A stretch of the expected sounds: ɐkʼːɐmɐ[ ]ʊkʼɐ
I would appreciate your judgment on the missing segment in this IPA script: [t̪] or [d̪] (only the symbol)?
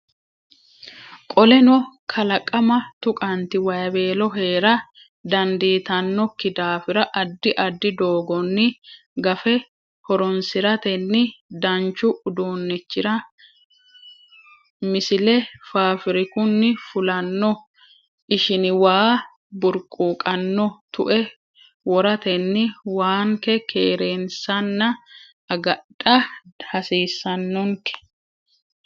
t̪